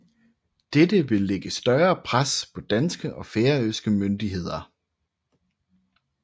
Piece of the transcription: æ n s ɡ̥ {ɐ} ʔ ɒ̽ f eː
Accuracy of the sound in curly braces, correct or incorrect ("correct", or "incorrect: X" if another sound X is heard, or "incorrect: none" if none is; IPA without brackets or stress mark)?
incorrect: ə